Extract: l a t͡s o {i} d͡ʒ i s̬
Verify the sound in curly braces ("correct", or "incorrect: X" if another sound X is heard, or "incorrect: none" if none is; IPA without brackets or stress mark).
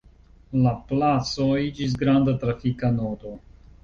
correct